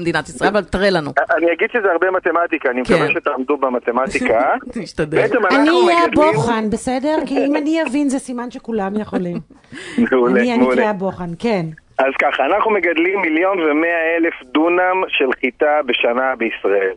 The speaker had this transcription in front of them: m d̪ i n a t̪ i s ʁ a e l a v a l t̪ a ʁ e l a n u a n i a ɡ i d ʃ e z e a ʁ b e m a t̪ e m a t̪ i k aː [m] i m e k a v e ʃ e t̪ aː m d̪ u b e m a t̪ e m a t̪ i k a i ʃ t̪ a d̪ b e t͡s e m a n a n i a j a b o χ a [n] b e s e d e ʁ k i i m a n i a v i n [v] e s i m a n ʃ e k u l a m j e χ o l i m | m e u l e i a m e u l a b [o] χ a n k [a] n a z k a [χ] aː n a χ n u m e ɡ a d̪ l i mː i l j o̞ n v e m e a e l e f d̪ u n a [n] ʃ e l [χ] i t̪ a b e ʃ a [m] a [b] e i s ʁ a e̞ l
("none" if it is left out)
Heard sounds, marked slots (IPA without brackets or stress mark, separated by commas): n, n, z, o, e, χ, m, χ, n, b